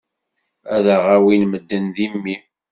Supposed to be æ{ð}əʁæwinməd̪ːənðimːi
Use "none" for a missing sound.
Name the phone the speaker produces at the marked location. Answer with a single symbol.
ð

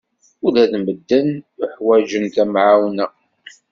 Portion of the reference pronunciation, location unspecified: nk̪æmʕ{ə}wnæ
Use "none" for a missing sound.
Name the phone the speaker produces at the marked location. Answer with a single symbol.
a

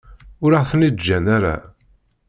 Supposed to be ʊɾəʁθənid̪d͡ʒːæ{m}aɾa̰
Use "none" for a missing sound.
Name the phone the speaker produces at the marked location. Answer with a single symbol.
n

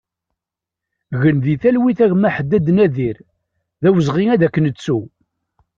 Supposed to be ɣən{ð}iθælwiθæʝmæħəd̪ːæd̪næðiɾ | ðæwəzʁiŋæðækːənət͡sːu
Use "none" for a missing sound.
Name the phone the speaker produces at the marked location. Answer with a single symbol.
ð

